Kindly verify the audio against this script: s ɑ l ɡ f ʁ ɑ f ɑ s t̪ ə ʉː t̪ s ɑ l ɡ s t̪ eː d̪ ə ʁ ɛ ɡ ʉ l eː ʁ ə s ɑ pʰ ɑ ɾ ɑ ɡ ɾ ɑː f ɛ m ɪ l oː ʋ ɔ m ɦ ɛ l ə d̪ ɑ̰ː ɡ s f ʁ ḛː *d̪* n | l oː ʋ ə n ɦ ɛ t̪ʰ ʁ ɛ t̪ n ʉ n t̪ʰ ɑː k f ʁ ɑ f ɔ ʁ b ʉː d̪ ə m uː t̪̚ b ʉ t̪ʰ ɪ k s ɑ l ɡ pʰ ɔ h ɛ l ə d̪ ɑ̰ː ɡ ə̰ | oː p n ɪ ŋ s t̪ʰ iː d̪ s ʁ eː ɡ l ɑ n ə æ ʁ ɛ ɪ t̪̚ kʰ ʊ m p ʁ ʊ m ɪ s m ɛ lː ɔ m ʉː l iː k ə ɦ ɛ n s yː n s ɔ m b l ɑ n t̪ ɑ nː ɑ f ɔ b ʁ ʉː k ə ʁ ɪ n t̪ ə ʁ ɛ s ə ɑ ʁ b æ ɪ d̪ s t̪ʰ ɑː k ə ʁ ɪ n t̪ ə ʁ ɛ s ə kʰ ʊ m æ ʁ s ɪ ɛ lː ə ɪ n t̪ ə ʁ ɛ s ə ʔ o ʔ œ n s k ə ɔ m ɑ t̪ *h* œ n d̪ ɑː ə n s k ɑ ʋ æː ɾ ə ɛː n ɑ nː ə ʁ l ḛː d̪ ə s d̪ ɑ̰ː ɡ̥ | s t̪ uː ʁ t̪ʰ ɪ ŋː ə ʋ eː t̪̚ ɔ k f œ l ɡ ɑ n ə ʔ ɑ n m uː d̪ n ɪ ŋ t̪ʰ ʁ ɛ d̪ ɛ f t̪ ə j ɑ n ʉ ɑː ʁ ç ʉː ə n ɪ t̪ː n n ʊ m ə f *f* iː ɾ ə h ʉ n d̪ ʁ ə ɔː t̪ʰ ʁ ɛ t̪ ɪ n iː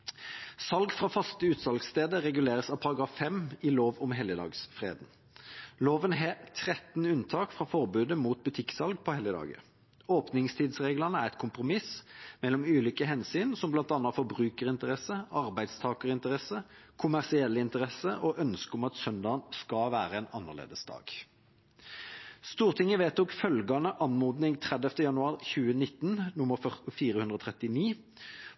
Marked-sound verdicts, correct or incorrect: correct, incorrect, correct

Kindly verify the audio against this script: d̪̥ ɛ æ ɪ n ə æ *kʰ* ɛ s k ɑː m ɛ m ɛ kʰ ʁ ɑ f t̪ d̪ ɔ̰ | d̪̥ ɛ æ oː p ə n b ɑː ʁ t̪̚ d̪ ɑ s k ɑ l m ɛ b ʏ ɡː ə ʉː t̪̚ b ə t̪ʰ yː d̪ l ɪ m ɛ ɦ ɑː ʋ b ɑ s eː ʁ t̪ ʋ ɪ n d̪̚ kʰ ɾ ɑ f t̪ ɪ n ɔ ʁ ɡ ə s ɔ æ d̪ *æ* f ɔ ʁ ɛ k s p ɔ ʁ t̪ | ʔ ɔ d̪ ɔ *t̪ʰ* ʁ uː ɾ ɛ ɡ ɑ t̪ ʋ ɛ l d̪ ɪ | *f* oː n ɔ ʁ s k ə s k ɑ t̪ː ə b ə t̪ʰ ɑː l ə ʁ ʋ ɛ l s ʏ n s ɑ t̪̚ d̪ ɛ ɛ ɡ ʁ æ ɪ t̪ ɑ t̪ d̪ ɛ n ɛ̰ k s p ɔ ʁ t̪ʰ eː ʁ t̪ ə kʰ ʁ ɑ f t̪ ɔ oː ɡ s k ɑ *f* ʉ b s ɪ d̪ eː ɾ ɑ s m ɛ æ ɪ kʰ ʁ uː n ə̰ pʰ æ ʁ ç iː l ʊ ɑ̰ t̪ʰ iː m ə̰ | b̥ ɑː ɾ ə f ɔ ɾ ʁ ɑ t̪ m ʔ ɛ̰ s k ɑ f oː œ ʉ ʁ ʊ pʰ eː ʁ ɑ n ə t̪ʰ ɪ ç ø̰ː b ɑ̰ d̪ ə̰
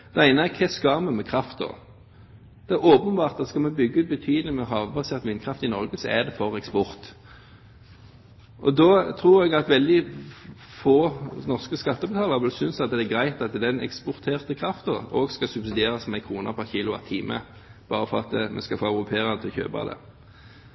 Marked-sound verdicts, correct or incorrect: correct, incorrect, correct, correct, incorrect

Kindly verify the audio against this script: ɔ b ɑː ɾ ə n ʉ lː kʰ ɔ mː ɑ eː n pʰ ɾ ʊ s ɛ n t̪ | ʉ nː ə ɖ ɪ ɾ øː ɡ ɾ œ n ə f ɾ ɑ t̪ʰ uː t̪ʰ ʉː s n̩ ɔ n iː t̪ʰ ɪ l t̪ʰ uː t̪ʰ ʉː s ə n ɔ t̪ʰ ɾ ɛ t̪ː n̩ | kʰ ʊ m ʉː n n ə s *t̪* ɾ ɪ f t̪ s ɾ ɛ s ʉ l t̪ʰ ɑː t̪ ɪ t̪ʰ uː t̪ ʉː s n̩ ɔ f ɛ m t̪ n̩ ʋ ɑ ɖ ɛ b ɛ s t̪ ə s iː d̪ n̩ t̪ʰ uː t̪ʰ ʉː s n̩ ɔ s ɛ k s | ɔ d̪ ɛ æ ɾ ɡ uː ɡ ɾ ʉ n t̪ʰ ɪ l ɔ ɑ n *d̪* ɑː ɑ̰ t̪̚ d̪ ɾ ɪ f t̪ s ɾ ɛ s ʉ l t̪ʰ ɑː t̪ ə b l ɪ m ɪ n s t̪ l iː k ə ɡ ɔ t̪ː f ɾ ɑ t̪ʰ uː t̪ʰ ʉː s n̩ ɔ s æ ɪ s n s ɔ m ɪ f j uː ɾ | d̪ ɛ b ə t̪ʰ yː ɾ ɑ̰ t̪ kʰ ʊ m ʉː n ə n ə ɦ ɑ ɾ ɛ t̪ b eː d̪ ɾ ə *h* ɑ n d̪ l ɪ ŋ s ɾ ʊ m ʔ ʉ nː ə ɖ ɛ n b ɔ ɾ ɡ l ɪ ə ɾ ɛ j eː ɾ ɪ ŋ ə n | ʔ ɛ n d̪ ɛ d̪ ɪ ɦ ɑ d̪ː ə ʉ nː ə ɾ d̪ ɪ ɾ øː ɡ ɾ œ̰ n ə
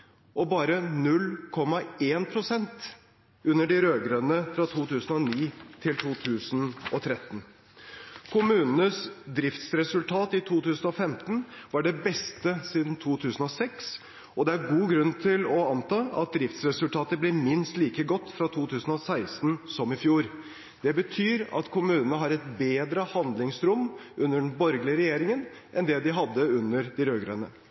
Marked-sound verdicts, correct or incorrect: incorrect, incorrect, correct

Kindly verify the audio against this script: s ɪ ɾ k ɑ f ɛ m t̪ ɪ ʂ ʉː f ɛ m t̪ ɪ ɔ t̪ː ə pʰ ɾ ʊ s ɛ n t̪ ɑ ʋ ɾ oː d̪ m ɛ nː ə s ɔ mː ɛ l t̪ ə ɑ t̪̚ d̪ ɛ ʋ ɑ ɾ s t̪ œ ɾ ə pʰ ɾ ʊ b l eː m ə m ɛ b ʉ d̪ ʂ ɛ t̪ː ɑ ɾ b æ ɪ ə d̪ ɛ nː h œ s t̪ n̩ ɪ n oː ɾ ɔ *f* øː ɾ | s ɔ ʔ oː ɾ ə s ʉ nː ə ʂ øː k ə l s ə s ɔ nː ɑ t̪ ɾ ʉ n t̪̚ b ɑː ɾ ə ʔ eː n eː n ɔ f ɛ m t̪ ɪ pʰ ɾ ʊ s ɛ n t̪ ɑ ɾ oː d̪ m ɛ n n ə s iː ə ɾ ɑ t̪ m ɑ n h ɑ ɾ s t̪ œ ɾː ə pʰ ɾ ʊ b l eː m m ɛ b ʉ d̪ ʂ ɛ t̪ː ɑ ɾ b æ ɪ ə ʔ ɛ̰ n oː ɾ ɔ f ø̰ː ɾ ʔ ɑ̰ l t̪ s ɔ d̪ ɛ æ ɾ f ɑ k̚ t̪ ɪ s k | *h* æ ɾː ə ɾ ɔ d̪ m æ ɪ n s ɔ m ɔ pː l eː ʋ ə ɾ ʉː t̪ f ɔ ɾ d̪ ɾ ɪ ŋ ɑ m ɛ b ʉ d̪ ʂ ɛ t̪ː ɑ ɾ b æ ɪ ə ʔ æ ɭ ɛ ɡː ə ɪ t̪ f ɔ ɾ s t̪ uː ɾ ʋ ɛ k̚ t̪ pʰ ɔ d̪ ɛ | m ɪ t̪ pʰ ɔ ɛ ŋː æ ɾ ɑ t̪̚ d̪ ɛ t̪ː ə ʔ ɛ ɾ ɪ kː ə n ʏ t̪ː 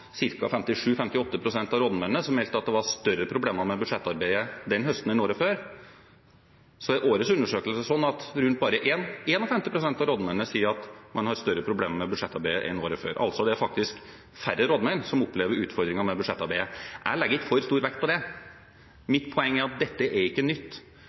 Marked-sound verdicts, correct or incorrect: correct, incorrect

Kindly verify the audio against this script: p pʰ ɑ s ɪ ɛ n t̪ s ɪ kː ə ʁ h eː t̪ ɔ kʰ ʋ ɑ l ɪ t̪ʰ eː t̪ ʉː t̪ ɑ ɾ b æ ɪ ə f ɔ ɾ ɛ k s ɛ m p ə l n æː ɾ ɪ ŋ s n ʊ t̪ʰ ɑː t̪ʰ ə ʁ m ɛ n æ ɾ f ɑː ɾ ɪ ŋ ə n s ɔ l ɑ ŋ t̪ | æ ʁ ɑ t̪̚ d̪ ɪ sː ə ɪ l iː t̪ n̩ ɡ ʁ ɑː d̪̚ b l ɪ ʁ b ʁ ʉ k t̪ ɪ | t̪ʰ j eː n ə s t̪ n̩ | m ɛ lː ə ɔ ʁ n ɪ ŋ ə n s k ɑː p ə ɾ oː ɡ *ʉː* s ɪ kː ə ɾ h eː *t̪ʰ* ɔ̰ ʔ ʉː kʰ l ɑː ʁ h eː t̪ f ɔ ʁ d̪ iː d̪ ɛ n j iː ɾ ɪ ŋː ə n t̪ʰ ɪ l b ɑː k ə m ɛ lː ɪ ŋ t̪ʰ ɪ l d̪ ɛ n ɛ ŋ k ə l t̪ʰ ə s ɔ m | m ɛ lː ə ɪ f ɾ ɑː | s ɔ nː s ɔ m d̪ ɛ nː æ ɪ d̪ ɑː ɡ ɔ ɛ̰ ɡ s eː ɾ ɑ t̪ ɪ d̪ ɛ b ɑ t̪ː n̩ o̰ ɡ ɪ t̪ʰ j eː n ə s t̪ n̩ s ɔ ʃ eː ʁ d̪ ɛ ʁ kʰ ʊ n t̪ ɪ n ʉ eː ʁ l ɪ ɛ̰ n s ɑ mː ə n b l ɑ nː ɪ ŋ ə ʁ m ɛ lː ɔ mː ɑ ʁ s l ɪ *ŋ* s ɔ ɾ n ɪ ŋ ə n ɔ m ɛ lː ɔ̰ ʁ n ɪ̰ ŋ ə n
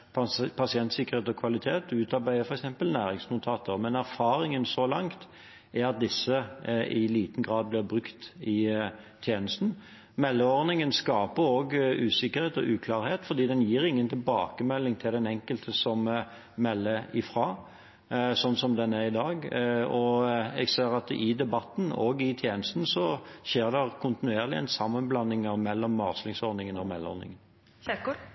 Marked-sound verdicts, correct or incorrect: correct, incorrect, correct

